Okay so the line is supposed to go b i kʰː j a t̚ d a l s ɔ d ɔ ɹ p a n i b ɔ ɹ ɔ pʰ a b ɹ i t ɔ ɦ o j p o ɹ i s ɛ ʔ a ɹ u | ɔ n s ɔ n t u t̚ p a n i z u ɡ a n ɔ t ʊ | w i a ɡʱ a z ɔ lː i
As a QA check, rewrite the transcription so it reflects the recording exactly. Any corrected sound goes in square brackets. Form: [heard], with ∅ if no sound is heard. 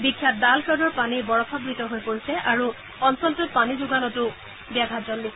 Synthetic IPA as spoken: b i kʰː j a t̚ d a l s ɔ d ɔ ɹ p a n i b ɔ ɹ ɔ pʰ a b ɹ i t ɔ ɦ o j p o ɹ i s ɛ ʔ a ɹ u | ɔ n s ɔ n t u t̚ p a n i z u ɡ a n ɔ t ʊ | [b] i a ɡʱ a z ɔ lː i